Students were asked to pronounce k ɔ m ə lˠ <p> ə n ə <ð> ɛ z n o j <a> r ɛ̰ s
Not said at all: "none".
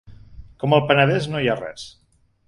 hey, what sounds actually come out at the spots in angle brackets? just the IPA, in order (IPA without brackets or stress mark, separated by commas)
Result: p, ð, a